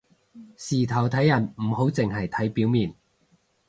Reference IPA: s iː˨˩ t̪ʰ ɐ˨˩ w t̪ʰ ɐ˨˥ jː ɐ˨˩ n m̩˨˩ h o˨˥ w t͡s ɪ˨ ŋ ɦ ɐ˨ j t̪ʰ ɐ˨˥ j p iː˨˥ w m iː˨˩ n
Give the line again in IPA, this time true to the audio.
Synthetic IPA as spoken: s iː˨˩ t̪ʰ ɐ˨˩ w t̪ʰ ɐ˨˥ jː ɐ˨˩ n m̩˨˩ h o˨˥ w t͡s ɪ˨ ŋ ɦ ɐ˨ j t̪ʰ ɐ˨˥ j p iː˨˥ w m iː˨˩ n